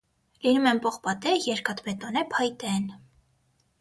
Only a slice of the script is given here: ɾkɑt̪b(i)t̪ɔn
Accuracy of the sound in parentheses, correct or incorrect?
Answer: incorrect